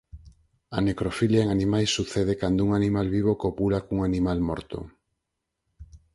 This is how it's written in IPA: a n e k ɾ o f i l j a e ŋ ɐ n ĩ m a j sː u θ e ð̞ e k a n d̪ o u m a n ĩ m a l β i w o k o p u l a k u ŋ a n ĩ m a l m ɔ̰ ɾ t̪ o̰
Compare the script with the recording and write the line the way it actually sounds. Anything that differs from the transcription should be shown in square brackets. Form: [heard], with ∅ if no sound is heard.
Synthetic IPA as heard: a n e k ɾ o f i l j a e ŋ [a] n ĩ m a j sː u θ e ð̞ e k a n d̪ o u [ŋ] a n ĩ m a l β i [β] o k o p u l a k u ŋ a n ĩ m a l m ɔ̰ ɾ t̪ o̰